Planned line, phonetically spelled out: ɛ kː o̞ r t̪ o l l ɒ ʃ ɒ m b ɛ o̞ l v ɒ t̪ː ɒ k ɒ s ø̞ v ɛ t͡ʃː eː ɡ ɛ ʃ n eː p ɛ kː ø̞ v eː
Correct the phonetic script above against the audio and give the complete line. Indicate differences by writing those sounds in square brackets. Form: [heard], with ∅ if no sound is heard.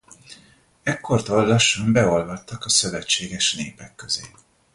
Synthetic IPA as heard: ɛ kː o̞ r t̪ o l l ɒ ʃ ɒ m b ɛ o̞ l v ɒ t̪ː ɒ k ɒ s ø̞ v ɛ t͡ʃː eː ɡ ɛ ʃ n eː p ɛ kː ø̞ [z] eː